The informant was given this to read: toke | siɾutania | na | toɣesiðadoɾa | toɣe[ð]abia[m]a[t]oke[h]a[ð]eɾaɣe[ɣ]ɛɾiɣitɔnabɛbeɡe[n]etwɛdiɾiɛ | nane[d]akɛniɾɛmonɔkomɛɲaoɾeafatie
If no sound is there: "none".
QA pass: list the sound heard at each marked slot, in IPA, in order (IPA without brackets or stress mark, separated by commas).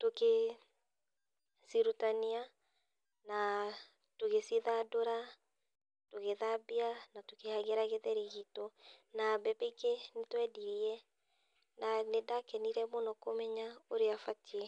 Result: ð, n, t, h, ɣ, ð, n, d